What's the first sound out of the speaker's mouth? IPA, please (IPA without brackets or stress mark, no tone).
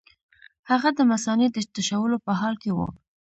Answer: h